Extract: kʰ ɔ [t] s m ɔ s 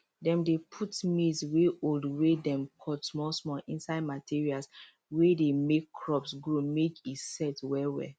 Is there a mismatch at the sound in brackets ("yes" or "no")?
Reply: no